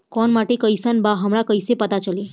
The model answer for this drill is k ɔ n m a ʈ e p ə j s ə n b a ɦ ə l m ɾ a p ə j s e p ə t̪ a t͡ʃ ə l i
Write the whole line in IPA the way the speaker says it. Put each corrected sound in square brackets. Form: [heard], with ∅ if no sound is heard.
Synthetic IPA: k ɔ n m a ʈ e [k] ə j s ə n b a ɦ ə [∅] m ɾ a [k] ə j s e p ə t̪ a t͡ʃ ə l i